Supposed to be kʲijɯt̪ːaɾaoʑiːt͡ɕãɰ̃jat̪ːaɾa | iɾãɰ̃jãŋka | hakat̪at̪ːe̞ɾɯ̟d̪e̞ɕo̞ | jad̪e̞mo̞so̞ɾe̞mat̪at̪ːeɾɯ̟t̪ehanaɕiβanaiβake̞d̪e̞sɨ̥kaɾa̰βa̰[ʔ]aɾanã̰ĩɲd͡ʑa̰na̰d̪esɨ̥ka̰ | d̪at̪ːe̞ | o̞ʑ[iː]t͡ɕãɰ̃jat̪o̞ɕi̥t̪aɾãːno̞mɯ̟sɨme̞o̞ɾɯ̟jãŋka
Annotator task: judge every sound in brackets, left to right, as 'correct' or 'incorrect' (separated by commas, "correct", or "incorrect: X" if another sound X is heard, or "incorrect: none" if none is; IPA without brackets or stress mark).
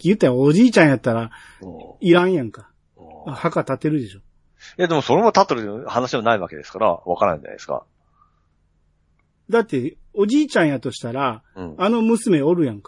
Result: incorrect: k, correct